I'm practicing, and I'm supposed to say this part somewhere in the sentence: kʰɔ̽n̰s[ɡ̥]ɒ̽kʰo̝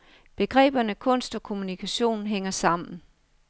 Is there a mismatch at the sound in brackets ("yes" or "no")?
yes